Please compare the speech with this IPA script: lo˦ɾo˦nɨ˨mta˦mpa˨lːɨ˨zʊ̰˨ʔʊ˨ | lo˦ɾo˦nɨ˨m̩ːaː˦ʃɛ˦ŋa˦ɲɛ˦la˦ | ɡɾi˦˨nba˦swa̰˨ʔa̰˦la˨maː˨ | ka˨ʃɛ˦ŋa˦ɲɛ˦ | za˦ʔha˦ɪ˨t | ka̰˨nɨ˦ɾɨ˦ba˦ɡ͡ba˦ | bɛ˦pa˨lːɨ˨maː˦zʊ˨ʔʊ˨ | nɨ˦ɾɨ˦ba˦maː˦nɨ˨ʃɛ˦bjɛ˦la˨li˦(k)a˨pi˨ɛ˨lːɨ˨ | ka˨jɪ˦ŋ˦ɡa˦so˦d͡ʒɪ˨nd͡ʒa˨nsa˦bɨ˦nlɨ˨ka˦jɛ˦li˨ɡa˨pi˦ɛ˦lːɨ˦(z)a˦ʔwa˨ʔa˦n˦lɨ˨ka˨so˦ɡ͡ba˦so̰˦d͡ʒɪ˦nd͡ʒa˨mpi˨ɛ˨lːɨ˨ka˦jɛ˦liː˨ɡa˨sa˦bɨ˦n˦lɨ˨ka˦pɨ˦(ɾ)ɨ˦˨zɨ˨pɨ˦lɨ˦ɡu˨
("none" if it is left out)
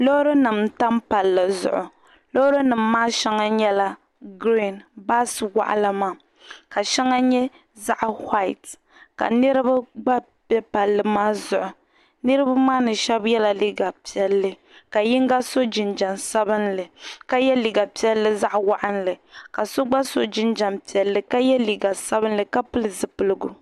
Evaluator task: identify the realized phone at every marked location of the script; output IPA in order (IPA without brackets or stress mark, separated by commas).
ɡ, z, l